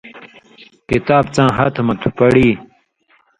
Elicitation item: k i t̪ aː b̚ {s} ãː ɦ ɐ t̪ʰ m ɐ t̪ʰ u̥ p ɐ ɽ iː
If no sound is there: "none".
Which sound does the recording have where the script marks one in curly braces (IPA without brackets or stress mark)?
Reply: t͡s